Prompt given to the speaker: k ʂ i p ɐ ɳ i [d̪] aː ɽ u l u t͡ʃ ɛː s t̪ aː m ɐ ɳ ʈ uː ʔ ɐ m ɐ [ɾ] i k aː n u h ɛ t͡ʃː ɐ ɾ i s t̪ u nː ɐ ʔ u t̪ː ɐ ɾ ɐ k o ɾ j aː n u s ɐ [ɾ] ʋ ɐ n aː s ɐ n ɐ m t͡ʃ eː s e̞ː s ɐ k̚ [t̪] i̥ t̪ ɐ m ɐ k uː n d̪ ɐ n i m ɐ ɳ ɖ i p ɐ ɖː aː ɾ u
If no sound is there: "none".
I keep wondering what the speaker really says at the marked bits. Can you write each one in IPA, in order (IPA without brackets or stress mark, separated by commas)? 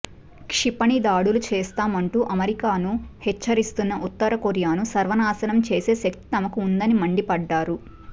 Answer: d̪, ɾ, ɾ, t̪